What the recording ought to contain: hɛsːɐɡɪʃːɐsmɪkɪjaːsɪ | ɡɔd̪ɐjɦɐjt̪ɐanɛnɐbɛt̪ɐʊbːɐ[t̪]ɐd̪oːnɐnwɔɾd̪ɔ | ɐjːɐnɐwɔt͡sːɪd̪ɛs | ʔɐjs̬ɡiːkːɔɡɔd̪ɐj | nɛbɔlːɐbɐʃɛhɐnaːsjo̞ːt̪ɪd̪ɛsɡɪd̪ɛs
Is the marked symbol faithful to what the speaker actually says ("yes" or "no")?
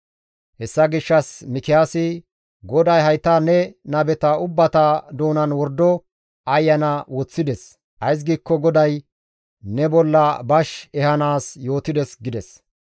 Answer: yes